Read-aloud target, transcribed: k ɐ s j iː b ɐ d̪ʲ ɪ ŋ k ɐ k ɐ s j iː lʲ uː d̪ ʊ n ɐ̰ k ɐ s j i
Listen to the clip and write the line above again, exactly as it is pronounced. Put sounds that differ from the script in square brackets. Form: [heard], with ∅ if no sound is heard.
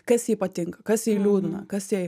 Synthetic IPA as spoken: k ɐ s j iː [p] ɐ [t̪ʲ] ɪ ŋ k ɐ k ɐ s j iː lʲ uː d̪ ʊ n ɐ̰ k ɐ s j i